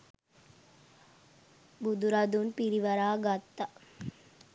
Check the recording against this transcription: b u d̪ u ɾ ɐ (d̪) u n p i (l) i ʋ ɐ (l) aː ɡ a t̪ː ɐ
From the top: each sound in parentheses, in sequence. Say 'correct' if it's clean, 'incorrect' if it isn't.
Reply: correct, incorrect, incorrect

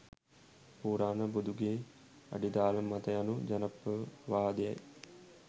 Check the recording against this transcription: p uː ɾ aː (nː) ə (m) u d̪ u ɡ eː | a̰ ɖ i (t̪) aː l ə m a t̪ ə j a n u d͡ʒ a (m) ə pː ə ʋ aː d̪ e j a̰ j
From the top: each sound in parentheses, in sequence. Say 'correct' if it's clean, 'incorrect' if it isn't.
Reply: incorrect, incorrect, incorrect, incorrect

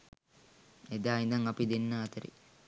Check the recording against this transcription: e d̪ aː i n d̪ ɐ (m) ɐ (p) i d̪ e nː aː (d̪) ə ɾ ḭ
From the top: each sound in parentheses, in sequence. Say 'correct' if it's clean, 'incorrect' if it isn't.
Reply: incorrect, correct, incorrect

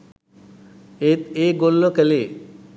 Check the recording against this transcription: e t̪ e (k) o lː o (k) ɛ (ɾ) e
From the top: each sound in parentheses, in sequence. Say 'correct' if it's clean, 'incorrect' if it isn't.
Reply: incorrect, correct, incorrect

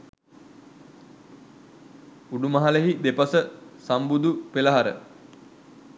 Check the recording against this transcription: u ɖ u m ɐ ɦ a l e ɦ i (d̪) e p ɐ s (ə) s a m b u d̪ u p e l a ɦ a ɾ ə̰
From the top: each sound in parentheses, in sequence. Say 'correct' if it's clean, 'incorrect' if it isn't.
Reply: correct, correct

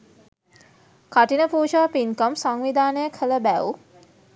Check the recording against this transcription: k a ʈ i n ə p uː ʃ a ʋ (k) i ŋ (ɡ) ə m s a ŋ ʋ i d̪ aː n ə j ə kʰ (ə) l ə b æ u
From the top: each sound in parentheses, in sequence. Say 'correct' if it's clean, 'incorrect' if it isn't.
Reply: incorrect, incorrect, correct

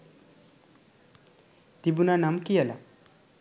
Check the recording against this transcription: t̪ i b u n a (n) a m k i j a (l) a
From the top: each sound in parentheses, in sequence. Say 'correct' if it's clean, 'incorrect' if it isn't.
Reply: correct, correct

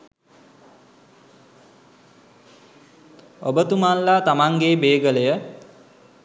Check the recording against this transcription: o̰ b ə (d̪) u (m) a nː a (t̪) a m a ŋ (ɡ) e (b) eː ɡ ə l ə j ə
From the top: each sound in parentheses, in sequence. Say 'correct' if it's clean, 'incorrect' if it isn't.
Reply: incorrect, correct, correct, correct, correct

